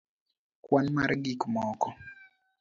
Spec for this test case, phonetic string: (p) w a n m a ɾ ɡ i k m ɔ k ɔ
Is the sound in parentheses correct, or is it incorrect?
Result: incorrect